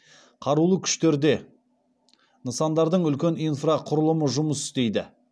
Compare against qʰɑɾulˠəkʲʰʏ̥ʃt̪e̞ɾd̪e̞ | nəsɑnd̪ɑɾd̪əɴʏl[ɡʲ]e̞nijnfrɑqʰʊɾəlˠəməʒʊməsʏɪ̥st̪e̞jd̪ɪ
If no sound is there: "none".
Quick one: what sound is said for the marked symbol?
kʲ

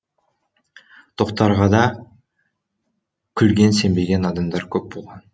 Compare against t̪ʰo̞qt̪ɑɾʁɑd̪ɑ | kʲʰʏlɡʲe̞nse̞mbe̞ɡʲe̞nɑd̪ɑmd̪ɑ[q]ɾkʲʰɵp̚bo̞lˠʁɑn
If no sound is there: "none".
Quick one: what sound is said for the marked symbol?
none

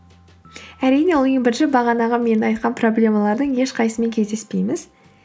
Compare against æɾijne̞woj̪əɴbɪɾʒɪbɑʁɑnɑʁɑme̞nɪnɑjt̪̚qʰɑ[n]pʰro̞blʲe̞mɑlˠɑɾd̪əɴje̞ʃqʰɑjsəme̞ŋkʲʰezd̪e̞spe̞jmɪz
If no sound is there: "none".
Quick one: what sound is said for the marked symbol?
n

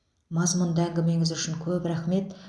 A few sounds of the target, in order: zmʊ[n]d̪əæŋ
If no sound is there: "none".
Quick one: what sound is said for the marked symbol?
n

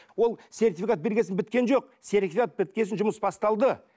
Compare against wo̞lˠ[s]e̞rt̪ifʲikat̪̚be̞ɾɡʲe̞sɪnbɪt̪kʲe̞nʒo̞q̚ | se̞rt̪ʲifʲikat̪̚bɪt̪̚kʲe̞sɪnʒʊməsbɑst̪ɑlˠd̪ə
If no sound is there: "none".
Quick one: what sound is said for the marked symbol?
s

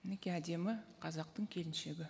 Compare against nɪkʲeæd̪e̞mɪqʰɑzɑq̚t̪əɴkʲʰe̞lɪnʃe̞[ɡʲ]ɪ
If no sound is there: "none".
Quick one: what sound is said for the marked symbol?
ɡʲ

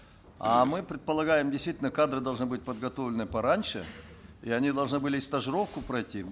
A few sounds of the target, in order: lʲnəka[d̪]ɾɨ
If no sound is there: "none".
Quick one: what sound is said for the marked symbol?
d̪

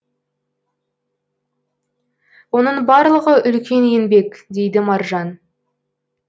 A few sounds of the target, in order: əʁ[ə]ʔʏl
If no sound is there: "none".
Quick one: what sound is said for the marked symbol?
ə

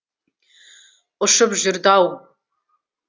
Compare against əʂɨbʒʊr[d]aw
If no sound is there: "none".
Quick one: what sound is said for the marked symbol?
d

